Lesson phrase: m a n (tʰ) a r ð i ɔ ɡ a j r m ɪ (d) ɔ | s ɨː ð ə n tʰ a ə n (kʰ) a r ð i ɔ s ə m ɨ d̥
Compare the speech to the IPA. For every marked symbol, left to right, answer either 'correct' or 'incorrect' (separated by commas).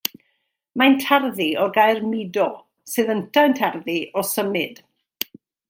correct, correct, incorrect